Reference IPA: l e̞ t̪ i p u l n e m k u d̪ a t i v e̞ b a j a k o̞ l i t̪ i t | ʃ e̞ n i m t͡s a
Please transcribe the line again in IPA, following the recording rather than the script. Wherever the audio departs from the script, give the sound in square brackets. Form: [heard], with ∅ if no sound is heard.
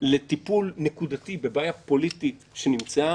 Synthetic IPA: l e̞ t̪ i p u l n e [∅] k u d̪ a t i [b] e̞ b a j a [p] o̞ l i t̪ i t | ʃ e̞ n i m t͡s a

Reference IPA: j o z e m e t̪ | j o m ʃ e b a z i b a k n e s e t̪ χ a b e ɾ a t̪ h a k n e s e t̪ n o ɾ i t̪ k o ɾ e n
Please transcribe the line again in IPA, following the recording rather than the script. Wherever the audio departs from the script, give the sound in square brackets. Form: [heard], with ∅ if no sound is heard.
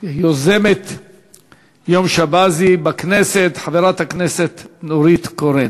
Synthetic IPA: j o z e m e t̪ | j o m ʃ [a] b a z i b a k n e s e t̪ [ħ] a [v] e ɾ a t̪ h a k n e s e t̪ n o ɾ i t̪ k o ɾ e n

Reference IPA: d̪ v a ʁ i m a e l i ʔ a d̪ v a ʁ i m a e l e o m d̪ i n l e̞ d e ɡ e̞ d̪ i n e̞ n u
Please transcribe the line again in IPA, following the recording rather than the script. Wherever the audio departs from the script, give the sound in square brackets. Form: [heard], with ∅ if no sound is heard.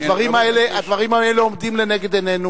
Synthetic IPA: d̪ v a ʁ i m a e l [e] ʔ a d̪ v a ʁ i m a e l e o m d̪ i [m] l e̞ [n] e ɡ e̞ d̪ [e] n e̞ n u

